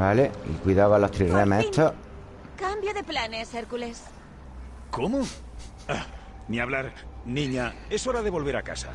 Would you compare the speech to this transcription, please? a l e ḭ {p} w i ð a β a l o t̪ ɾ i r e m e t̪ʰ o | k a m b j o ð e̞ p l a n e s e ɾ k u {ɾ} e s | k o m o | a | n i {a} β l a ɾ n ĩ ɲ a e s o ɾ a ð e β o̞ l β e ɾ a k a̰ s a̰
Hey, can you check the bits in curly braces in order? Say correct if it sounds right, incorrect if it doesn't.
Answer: incorrect: k, incorrect: l, correct

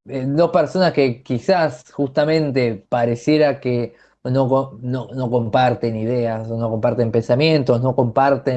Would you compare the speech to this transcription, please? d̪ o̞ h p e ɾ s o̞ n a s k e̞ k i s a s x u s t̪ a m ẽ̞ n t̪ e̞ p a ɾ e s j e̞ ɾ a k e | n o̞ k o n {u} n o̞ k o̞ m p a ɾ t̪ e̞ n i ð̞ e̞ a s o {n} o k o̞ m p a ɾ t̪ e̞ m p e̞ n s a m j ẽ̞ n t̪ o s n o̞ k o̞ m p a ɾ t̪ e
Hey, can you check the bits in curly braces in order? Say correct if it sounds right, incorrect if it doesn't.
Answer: incorrect: o, correct

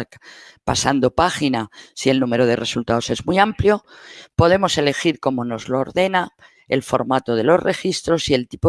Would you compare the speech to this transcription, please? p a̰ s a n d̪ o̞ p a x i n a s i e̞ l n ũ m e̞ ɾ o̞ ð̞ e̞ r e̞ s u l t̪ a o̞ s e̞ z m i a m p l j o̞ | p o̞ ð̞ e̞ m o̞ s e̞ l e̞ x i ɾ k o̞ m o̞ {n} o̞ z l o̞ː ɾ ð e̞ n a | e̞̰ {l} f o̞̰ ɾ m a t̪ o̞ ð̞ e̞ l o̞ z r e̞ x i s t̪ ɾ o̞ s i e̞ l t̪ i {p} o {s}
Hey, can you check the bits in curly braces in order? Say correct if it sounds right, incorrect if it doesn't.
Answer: correct, correct, correct, incorrect: none

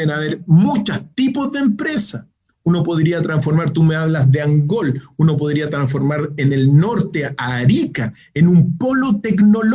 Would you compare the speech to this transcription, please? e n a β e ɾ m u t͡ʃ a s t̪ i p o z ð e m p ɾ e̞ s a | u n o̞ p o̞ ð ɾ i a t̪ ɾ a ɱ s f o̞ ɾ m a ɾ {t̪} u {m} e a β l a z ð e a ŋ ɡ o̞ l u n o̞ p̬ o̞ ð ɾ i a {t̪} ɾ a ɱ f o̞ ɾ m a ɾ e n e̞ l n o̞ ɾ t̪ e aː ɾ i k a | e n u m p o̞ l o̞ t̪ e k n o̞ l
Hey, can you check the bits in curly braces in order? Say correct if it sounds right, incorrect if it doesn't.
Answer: correct, correct, correct

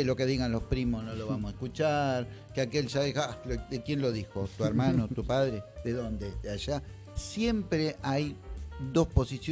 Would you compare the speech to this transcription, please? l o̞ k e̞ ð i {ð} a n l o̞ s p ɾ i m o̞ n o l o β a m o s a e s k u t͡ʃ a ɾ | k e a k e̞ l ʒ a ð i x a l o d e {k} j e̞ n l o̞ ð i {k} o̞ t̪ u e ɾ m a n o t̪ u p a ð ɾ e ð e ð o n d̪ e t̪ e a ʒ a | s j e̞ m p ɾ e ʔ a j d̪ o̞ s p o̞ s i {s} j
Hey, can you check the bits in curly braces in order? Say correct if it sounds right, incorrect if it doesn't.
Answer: incorrect: ɣ, correct, incorrect: x, correct

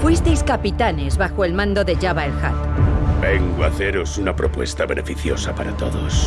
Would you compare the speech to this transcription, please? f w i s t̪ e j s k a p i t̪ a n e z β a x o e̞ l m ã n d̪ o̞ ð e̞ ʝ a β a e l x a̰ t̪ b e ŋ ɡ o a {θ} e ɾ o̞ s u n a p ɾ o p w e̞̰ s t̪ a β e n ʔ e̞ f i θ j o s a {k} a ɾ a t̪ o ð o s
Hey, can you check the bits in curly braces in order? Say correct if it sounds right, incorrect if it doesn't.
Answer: correct, incorrect: p

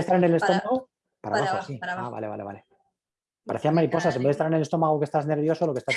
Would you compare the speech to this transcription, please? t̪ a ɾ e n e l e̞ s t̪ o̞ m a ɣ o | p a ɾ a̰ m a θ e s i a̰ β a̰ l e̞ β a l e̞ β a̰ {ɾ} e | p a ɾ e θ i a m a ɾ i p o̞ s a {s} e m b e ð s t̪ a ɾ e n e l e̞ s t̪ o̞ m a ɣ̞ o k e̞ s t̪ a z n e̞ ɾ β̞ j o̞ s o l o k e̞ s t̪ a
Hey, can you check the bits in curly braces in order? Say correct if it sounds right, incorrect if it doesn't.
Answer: incorrect: l, correct

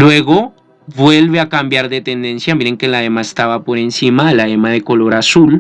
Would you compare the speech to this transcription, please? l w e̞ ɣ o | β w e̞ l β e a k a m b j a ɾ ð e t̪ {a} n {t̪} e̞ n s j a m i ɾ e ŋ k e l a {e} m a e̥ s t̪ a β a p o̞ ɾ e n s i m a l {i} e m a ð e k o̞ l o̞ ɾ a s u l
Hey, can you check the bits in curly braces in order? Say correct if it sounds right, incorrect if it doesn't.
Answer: incorrect: e, incorrect: d̪, correct, incorrect: a

